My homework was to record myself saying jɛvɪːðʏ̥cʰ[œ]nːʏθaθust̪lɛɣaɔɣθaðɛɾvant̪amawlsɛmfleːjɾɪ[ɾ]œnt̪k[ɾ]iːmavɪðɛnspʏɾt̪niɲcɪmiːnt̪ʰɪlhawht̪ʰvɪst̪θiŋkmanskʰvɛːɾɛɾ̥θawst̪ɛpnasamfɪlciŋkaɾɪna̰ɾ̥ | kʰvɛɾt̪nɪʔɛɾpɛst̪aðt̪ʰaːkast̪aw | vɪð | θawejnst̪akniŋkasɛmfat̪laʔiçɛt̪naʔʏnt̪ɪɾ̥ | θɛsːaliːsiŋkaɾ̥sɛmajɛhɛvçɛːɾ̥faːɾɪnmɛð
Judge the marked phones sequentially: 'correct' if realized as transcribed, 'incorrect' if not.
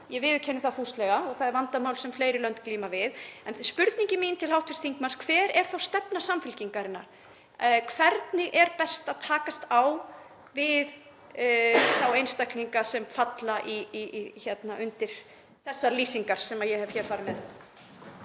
incorrect: ɛ, incorrect: l, incorrect: l

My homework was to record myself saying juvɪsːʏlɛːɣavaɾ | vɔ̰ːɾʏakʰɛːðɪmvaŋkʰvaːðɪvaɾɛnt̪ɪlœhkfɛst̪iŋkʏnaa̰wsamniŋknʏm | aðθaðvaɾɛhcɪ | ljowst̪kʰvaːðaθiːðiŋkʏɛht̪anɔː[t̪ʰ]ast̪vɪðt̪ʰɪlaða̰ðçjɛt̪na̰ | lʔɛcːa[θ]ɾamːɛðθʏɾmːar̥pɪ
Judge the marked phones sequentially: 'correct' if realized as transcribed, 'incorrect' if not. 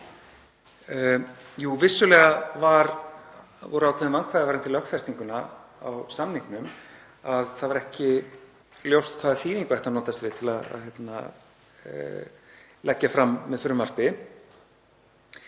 incorrect: t̪, incorrect: f

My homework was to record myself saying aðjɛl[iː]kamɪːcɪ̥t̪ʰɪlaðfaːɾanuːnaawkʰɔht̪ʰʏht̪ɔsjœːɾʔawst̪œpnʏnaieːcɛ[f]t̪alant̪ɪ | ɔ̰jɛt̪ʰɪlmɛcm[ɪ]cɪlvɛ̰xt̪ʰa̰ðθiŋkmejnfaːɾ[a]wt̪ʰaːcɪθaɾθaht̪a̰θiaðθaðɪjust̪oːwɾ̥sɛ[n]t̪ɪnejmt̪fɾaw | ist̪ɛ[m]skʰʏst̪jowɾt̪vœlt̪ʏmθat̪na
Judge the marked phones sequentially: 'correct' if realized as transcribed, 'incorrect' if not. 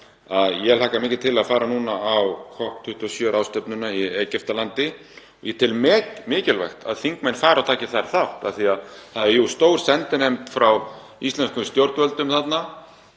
incorrect: aː, correct, incorrect: ɪː, correct, correct, incorrect: n

